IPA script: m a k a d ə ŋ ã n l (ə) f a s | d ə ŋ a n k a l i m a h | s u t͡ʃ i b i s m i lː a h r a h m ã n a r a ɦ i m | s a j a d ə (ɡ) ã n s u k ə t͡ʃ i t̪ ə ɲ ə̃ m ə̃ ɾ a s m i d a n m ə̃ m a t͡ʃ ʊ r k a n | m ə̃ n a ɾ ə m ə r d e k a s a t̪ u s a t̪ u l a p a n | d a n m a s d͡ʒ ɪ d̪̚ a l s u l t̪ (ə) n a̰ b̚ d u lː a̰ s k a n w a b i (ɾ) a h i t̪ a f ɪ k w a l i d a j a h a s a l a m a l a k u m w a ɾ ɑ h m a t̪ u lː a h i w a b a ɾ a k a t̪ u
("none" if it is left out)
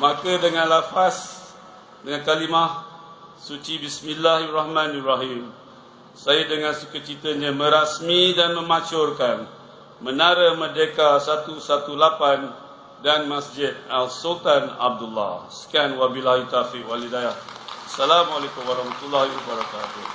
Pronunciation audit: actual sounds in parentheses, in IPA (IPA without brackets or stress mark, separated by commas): a, ŋ, a, l